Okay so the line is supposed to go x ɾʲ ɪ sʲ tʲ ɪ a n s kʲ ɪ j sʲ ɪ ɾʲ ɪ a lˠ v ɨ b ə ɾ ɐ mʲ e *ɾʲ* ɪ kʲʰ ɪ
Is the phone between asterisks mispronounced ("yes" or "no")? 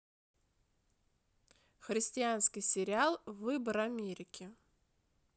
no